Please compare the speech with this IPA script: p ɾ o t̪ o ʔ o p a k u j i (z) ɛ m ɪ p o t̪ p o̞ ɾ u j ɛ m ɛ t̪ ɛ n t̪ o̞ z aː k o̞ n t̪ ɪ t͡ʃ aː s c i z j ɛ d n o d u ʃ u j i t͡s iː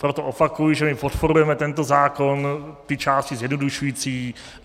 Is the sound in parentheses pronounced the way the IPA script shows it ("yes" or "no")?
no